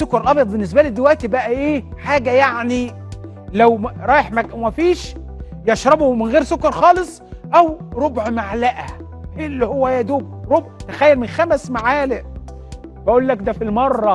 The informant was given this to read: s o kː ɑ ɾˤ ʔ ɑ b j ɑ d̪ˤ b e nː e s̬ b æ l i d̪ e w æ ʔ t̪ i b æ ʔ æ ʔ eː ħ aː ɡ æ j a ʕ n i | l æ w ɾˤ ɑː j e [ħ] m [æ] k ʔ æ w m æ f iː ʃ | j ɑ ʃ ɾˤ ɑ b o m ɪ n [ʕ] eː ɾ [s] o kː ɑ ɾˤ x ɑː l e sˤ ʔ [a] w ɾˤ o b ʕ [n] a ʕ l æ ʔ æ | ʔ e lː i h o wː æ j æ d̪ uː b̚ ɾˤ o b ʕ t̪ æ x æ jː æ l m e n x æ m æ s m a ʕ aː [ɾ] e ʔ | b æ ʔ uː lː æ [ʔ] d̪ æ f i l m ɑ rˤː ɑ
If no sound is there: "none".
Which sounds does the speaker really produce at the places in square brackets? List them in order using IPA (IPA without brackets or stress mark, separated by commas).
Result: ħ, æ, ɣ, s, æ, m, l, k